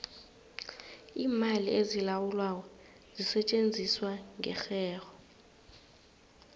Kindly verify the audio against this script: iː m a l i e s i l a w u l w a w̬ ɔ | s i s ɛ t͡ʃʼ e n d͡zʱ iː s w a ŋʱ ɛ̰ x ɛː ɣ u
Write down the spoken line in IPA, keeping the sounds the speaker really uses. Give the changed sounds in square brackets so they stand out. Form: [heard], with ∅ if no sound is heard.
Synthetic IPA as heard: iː m a l i e [z] i l a w u l w a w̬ ɔ | [z] i s ɛ t͡ʃʼ e n d͡zʱ [i] s w a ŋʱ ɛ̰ x ɛː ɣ [ɔ]